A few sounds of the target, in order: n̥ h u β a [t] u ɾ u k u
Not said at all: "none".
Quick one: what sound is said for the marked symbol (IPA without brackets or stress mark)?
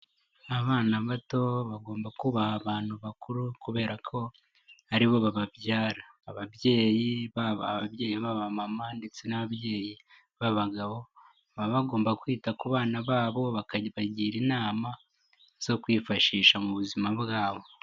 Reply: k